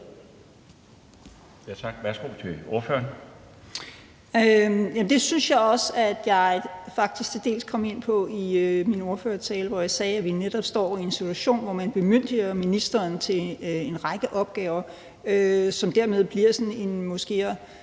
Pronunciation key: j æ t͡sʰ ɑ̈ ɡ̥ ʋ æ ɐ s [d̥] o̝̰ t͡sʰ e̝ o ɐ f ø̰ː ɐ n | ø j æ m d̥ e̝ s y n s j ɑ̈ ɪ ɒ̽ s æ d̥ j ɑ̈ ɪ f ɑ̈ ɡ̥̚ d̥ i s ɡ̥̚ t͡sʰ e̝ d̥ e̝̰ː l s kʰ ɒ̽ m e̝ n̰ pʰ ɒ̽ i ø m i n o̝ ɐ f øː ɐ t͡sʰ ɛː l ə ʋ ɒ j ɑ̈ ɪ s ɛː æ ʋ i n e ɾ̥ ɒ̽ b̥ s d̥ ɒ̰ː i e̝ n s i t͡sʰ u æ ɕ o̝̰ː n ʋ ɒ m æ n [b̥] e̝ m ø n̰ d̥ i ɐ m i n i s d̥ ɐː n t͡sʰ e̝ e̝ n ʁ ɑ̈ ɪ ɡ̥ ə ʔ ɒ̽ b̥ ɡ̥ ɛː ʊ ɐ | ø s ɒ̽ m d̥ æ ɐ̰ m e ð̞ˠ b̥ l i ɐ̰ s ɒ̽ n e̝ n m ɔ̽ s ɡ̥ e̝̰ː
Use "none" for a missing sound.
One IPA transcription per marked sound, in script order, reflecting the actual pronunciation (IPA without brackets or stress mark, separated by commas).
ɡ̥, b̥